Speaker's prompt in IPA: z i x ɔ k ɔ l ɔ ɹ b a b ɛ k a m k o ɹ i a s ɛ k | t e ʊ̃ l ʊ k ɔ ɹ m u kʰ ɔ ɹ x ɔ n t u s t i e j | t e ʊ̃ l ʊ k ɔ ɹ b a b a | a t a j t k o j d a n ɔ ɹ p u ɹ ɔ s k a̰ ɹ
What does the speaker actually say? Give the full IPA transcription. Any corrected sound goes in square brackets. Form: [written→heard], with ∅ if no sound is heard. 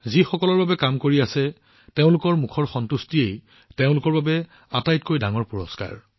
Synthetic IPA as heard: z i x ɔ k ɔ l ɔ ɹ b a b ɛ k a m k o ɹ i a s ɛ [k→∅] | t e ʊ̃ l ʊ k ɔ ɹ m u kʰ ɔ ɹ x ɔ n t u s t i e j | t e ʊ̃ l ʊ k ɔ ɹ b a b [a→ɛ] | a t a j t k o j d a [n→ŋ] ɔ ɹ p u ɹ ɔ s k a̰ ɹ

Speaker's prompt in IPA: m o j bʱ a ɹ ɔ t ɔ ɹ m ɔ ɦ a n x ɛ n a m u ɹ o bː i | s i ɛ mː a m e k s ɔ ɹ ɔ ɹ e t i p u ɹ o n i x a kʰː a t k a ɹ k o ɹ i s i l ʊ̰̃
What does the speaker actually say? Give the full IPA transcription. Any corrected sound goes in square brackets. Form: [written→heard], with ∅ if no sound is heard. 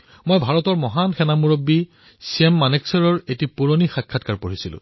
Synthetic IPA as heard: m o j bʱ a ɹ ɔ t ɔ ɹ m ɔ ɦ a n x ɛ n a m u ɹ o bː i | s i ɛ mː a [m→n] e k s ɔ ɹ ɔ ɹ e t i p u ɹ o n i x a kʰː a t k a ɹ [k→p] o ɹ i s i l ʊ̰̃

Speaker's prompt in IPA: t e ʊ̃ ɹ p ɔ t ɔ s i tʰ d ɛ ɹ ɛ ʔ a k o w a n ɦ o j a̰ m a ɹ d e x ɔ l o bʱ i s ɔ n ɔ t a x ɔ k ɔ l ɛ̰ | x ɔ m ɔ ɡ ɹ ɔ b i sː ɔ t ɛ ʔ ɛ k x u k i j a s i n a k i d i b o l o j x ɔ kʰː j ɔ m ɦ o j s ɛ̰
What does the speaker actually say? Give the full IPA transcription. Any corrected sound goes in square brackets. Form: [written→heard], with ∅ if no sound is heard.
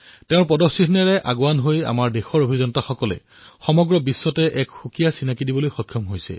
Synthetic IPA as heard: t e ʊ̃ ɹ p ɔ [t→d] ɔ s i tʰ [d→n] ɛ ɹ ɛ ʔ a [k→ɡ] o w a n ɦ o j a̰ m a ɹ d e x ɔ [l→ɹ] o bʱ i [s→z] ɔ n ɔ t a x ɔ k ɔ l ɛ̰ | x ɔ m ɔ ɡ ɹ ɔ b i sː ɔ t ɛ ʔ ɛ k x u k i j a s i n a k i d i b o l o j x ɔ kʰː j ɔ m ɦ o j s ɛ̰

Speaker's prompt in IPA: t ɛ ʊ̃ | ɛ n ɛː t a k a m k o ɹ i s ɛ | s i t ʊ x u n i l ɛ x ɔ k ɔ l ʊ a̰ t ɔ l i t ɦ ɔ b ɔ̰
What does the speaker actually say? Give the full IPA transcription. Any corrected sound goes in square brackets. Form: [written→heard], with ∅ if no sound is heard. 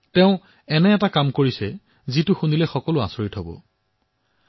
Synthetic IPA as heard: t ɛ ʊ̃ | ɛ n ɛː t a k a m k o ɹ i s ɛ | [s→z] i t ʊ x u n i l ɛ x ɔ k ɔ l ʊ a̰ [t→s] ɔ [l→ɹ] i t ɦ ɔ b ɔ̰

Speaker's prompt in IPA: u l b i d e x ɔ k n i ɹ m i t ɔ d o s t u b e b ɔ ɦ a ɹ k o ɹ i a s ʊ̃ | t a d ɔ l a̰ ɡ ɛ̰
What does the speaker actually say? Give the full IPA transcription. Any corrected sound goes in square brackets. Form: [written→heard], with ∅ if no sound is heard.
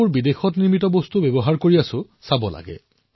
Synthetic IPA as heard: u [l→ɹ] b i d e x ɔ [k→t] n i ɹ m i t ɔ [d→b] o s t u b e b ɔ ɦ a ɹ k o ɹ i a s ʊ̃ | [t→s] a [d→b] ɔ l a̰ ɡ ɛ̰

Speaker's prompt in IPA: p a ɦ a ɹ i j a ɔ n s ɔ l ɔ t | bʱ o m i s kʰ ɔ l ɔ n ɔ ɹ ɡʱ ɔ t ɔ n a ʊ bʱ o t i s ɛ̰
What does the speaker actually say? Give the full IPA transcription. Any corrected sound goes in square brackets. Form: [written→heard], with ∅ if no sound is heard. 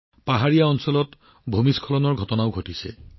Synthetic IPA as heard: p a ɦ a ɹ i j a ɔ n s ɔ l ɔ t | bʱ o m i s kʰ ɔ l ɔ n ɔ ɹ ɡʱ ɔ t ɔ n a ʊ [bʱ→ɡʱ] o t i s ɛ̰

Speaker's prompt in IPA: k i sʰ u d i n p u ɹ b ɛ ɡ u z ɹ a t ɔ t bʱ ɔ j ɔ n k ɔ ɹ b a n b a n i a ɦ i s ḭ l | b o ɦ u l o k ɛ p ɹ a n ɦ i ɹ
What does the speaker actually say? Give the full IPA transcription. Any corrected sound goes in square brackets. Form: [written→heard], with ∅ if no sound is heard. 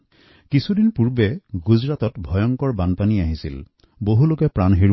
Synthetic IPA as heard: k i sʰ u d i n p u ɹ b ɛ ɡ u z ɹ a t ɔ t bʱ ɔ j ɔ [n→ŋ] k ɔ ɹ b a n [b→p] a n i a ɦ i s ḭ l | b o ɦ u l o k ɛ p ɹ a n ɦ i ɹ

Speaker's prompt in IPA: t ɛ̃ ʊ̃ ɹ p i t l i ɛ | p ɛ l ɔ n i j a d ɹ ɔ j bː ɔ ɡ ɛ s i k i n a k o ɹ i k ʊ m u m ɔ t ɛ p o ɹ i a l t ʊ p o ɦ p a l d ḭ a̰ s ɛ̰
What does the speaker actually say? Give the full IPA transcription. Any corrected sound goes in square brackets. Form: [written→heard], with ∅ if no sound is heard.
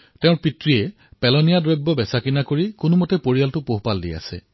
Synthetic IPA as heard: t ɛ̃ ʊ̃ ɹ p i t [l→ɹ] i ɛ | p ɛ l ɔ n i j a d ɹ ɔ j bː ɔ [ɡ→b] ɛ s [i→a] k i n a k o ɹ i k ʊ [m→n] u m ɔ t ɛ p o ɹ i a l t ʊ p o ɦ p a l d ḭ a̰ s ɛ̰

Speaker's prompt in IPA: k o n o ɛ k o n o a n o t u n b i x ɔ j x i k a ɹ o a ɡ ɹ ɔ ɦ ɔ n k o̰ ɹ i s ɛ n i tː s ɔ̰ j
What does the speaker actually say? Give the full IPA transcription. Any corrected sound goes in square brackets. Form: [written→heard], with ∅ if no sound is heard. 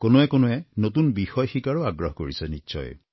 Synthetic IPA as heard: k o n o ɛ k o n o [a→ɛ] n o t u n b i x ɔ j x i k a ɹ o a ɡ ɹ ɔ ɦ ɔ [n→∅] k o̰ ɹ i s ɛ n i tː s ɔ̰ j

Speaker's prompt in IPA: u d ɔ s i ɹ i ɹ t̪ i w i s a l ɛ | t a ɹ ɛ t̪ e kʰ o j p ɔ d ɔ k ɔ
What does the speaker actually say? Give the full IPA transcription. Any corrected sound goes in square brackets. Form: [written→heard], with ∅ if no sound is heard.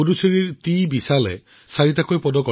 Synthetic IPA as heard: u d [ɔ→u] s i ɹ i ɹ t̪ i [w→b] i s a l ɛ | [t→s] a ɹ [ɛ→i] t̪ [e→a] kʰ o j p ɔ d ɔ k ɔ

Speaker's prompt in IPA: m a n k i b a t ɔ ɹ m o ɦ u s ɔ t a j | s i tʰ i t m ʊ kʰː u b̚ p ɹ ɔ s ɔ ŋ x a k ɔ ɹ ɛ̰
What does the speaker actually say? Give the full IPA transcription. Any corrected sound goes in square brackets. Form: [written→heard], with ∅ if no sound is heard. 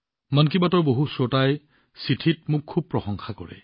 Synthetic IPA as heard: m a n k i b a t ɔ ɹ [m→b] o ɦ u s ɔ t a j | s i tʰ i t m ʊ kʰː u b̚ p ɹ ɔ [s→x] ɔ ŋ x a k ɔ ɹ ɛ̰

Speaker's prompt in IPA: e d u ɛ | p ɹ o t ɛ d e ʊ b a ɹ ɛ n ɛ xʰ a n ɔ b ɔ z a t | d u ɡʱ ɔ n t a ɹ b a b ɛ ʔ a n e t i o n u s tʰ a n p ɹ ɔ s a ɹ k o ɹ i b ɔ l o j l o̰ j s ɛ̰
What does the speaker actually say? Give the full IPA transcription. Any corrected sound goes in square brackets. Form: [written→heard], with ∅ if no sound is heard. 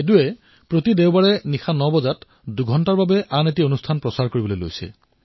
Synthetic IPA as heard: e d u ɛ | p ɹ o t [ɛ→i] d e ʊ b a ɹ ɛ n [ɛ→i] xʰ a n ɔ b ɔ z a t | d u ɡʱ ɔ n t a ɹ b a b ɛ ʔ a n e t i o n u s tʰ a n p ɹ ɔ s a ɹ k o ɹ i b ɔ l o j l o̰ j s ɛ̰

